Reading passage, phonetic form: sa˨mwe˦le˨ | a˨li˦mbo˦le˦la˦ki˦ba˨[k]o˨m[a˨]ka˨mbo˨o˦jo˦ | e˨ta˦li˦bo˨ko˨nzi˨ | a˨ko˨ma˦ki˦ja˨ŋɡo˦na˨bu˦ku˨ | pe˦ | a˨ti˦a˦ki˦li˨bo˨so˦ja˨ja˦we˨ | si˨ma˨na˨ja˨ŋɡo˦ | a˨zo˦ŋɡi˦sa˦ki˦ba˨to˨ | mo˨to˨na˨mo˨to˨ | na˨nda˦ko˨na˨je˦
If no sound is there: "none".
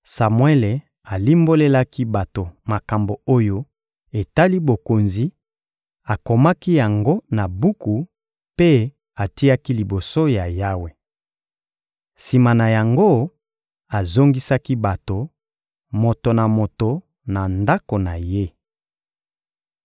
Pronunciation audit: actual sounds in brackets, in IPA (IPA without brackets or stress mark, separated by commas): t, a˨